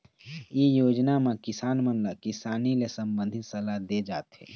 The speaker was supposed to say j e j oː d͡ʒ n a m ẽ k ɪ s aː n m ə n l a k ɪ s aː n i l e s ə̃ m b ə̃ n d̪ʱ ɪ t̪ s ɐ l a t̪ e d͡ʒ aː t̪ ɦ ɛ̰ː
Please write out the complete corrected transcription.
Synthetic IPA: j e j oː d͡ʒ n a m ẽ k ɪ s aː n m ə n l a k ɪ s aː n i l e s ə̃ m b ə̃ n d̪ʱ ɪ t̪ s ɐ l a d̪ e d͡ʒ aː t̪ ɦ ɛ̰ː